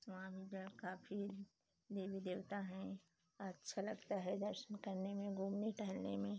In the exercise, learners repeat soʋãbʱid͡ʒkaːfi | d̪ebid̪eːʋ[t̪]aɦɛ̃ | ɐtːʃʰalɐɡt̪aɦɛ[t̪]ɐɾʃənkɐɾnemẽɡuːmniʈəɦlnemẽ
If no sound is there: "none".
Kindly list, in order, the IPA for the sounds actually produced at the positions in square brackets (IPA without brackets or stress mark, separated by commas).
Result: t̪, d̪